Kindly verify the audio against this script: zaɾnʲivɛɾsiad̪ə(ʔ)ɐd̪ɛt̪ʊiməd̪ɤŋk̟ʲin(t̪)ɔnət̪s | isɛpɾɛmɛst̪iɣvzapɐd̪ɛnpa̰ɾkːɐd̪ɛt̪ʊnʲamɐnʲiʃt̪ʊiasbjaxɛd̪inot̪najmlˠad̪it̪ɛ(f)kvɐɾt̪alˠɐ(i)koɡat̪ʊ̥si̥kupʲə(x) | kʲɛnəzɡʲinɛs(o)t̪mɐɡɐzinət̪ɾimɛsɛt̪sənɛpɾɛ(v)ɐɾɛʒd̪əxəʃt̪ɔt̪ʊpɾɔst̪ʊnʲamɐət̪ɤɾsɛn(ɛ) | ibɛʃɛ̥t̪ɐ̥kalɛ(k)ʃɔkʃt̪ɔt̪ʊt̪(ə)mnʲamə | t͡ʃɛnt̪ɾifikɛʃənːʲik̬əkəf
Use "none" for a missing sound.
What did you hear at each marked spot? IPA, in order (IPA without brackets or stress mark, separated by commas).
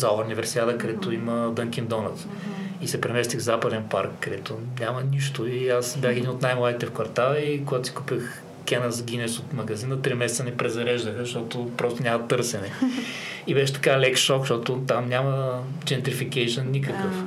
k, d̪, f, i, x, o, z, ɛ, k, a